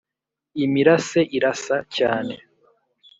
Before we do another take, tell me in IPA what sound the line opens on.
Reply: i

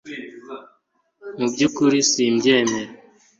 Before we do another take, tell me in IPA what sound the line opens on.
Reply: m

